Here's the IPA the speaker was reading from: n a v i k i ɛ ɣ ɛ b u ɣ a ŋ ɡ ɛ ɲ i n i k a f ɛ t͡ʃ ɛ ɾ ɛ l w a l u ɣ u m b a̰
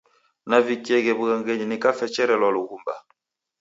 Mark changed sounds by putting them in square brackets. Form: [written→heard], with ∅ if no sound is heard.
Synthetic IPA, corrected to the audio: n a v i k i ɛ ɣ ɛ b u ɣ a ŋ ɡ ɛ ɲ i n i k a f ɛ t͡ʃ ɛ ɾ ɛ l w a l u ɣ u m b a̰